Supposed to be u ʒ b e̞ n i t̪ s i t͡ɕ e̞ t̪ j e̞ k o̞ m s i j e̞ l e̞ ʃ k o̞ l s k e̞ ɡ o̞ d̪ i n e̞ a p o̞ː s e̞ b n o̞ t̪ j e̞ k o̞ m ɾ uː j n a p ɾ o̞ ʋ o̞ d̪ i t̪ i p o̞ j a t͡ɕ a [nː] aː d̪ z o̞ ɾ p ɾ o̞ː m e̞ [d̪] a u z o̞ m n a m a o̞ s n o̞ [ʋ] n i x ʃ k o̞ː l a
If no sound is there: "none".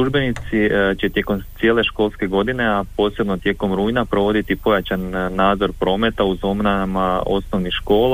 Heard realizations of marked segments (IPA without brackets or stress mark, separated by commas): nː, t̪, ʋ